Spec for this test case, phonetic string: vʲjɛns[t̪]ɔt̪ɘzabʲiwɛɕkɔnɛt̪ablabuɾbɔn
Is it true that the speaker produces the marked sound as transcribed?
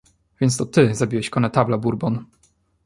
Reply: yes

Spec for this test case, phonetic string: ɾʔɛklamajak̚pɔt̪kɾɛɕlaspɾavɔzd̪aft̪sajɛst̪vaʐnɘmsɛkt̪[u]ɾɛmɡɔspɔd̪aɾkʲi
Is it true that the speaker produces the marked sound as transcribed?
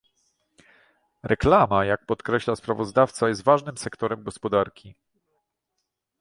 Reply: no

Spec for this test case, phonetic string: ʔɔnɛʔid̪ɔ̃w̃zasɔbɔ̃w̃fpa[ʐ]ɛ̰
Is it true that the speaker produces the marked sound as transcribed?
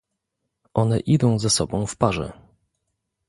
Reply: yes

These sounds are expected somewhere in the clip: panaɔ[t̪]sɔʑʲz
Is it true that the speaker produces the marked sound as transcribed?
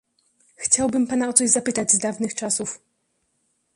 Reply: yes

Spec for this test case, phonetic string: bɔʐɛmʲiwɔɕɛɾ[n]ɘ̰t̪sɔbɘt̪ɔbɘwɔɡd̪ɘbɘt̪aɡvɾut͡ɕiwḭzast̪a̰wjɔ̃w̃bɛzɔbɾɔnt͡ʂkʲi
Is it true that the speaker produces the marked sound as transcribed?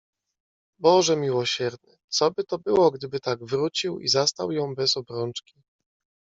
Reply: yes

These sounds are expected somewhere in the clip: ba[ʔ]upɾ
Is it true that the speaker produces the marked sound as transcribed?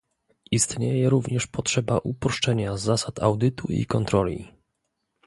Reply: yes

